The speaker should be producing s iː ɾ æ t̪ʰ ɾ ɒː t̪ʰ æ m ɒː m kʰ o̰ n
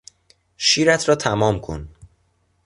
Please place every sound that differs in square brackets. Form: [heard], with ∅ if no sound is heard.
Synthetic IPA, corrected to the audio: [ʃ] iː ɾ æ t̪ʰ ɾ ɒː t̪ʰ æ m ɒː m kʰ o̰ n